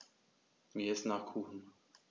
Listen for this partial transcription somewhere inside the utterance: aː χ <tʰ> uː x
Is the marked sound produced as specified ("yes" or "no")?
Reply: no